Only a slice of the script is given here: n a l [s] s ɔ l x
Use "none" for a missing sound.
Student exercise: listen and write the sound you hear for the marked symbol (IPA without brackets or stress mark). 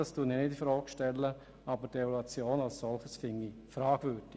s